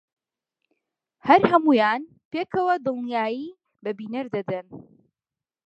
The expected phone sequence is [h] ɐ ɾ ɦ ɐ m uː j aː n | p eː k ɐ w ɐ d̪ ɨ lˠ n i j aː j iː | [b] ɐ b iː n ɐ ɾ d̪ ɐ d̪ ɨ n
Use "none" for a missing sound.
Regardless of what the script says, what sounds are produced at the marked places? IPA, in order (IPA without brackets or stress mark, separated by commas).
h, b